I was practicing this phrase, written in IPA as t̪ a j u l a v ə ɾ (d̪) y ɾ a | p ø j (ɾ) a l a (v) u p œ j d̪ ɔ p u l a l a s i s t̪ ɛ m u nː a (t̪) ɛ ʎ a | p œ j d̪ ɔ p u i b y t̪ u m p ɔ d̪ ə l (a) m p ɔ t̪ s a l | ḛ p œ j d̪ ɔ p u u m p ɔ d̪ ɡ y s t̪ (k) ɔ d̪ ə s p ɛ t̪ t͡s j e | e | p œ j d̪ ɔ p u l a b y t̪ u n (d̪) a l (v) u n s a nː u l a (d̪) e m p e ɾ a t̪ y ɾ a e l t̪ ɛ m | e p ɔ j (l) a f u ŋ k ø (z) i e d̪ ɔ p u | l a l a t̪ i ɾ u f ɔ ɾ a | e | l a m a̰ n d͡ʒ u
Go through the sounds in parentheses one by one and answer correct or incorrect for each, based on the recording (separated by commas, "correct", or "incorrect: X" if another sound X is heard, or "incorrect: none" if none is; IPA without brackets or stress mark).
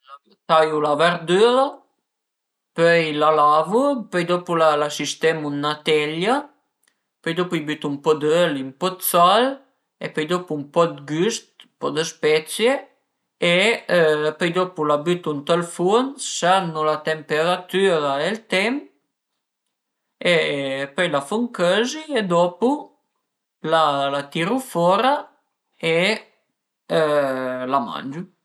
correct, incorrect: l, correct, correct, incorrect: i, incorrect: p, incorrect: t̪, incorrect: f, incorrect: t̪, correct, correct